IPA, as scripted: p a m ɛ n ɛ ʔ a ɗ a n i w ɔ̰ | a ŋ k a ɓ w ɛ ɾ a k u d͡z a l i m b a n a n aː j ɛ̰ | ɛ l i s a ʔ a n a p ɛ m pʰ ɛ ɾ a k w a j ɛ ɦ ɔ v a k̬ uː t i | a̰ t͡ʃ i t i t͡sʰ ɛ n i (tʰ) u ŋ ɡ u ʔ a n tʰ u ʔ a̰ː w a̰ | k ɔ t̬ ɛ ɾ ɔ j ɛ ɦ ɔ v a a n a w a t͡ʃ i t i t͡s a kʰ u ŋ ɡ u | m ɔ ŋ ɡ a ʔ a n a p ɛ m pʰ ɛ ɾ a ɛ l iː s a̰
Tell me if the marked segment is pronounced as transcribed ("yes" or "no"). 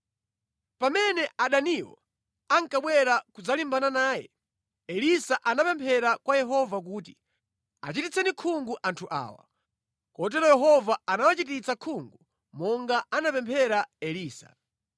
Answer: no